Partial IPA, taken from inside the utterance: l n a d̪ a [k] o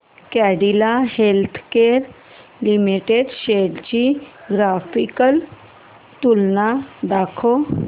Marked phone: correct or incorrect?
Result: incorrect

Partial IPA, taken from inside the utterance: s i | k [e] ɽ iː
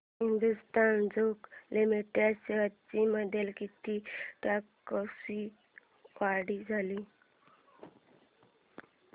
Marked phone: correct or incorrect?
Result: incorrect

